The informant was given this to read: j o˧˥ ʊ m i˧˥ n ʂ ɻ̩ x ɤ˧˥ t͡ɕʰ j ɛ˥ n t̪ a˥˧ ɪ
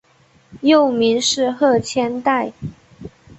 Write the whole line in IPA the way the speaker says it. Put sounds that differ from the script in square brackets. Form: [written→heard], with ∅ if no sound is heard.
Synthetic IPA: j [o˧˥→o˥˨˩] ʊ m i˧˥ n ʂ ɻ̩ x [ɤ˧˥→ɤ˥˩] t͡ɕʰ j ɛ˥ n t̪ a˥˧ ɪ